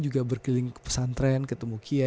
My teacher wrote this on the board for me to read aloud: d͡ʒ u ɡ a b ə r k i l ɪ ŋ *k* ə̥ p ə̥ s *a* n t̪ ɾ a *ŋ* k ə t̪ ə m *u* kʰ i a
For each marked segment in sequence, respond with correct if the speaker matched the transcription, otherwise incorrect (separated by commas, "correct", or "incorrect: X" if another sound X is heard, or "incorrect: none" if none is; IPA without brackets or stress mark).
correct, correct, incorrect: n, correct